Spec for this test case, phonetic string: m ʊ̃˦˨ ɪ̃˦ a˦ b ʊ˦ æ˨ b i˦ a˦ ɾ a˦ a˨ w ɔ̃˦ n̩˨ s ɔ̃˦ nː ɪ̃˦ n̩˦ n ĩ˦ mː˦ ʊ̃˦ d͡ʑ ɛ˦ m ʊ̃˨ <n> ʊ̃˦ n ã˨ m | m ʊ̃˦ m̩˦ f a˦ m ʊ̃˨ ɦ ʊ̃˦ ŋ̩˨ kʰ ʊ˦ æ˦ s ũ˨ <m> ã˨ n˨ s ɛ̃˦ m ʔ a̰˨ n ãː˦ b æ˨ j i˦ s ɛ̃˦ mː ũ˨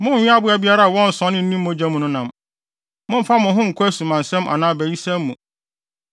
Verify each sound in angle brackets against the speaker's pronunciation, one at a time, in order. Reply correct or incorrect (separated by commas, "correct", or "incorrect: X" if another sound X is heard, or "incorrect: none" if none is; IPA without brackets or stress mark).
correct, correct